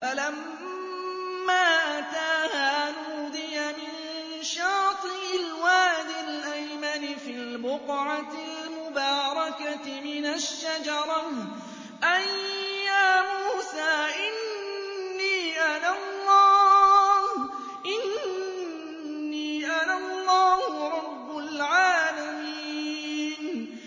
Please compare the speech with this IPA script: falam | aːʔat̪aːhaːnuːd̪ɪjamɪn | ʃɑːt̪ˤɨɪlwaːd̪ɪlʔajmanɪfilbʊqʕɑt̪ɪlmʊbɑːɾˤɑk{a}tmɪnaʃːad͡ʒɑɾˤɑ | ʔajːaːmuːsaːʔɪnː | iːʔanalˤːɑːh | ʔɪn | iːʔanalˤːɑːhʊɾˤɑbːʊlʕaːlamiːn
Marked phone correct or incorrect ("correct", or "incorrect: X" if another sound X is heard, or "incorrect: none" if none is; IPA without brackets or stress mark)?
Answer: correct